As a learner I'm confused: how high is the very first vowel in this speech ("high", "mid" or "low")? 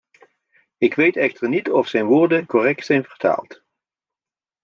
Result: high